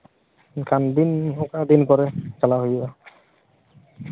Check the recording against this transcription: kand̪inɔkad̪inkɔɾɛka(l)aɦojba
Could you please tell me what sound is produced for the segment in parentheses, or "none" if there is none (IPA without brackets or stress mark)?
l